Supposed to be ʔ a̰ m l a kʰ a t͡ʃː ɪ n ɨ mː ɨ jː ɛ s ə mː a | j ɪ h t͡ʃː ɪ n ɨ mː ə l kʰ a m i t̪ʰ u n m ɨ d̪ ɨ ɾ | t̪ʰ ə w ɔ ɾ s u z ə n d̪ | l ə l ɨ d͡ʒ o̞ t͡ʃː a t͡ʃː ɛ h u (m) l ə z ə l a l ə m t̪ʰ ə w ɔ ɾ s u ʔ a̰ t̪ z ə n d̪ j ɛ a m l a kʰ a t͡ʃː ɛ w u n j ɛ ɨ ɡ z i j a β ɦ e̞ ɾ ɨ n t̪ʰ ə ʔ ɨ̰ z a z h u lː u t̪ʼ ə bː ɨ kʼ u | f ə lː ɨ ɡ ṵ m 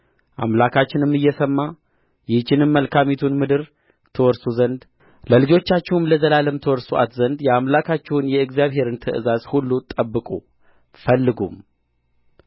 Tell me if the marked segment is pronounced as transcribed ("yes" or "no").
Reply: yes